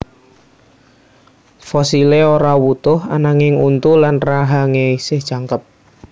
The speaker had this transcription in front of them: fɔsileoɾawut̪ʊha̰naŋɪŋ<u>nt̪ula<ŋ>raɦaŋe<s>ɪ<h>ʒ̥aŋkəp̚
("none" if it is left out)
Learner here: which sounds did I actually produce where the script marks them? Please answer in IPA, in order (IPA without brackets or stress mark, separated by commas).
u, n, s, h